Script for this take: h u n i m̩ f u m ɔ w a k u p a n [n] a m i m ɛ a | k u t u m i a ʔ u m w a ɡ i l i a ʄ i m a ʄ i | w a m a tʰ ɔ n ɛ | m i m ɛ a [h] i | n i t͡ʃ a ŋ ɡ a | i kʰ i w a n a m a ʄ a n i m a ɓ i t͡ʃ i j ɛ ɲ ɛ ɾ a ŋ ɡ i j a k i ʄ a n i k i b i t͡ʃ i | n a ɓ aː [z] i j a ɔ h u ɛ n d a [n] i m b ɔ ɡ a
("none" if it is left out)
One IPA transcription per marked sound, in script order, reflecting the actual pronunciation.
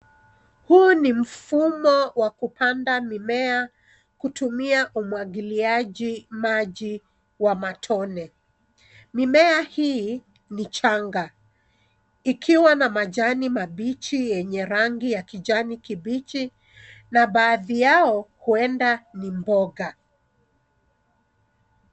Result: d, h, ð, n

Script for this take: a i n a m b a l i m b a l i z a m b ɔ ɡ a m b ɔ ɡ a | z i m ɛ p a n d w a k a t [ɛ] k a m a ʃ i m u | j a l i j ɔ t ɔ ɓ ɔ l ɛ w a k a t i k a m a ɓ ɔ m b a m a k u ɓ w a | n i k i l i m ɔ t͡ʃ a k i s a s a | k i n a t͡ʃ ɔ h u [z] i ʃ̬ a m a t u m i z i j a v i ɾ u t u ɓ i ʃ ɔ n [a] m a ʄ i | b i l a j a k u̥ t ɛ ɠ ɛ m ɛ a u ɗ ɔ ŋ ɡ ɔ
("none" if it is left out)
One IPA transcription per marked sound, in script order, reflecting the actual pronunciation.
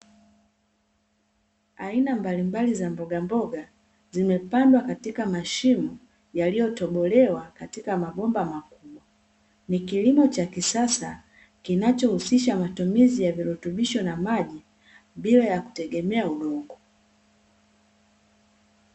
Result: i, s, a

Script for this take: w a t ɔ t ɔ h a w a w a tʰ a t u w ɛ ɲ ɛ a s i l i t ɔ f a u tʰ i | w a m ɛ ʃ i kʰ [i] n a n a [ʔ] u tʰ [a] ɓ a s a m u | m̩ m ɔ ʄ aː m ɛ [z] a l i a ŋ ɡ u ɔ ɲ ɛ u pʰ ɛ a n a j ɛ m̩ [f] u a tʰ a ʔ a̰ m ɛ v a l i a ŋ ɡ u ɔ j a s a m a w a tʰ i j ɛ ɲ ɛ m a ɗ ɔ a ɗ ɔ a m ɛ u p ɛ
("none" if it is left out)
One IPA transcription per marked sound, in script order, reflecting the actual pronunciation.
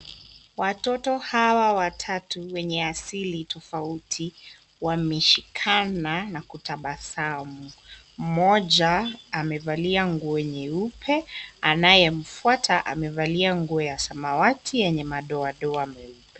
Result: a, k, a, v, f

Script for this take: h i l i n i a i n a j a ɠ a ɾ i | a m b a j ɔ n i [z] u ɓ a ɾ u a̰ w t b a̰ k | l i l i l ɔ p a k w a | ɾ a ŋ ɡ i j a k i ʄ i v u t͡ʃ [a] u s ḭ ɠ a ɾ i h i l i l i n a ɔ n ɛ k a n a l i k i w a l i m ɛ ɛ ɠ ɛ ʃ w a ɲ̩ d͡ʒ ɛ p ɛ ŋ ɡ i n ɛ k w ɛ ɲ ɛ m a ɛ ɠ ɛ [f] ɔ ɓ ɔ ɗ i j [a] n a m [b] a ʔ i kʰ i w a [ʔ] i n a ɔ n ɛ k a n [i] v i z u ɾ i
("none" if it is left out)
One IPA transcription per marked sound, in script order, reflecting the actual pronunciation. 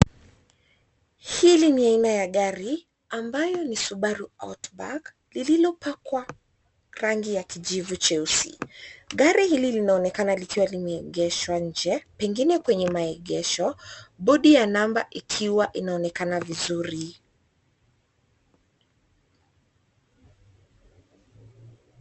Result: s, ɛ, ʃ, a, b, ʔ, a

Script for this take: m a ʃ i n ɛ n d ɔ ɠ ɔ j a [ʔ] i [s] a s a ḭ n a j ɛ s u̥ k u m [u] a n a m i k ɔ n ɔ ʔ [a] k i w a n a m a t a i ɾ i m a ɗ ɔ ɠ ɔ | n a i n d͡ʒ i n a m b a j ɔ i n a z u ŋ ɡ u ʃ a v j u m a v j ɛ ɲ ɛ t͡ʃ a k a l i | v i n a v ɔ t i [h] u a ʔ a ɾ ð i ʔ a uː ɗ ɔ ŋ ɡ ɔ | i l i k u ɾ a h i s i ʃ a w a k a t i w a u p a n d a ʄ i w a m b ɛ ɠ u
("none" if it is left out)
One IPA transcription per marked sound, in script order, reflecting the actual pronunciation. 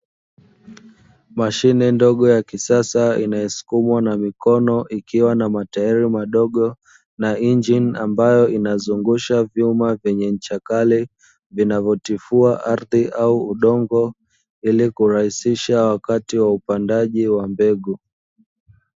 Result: k, s, w, i, f

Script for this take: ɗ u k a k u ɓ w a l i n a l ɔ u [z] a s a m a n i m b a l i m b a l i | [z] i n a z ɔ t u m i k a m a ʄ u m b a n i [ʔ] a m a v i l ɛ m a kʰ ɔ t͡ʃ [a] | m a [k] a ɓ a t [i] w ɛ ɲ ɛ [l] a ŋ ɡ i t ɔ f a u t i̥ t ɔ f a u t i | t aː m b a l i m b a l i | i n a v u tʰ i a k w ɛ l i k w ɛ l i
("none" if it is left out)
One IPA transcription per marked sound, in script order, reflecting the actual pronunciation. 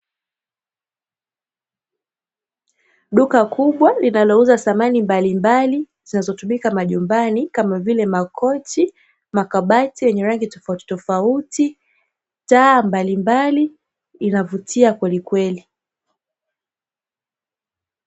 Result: z, z, k, i, k, i, ɾ

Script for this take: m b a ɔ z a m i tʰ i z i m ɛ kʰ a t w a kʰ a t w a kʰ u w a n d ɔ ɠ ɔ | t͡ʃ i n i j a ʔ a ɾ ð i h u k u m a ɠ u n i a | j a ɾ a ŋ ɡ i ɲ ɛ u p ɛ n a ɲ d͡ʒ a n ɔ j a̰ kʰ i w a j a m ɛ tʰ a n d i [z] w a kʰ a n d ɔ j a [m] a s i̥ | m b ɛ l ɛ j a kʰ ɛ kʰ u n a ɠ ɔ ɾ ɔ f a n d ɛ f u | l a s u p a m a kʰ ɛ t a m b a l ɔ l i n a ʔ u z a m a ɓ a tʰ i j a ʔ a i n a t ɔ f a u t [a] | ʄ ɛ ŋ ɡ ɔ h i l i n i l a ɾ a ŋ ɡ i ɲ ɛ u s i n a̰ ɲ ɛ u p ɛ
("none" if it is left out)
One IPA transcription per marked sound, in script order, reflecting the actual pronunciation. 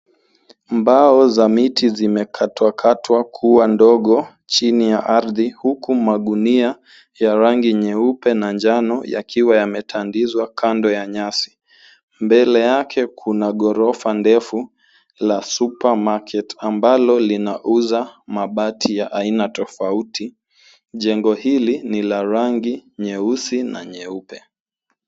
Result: z, ɲ, i

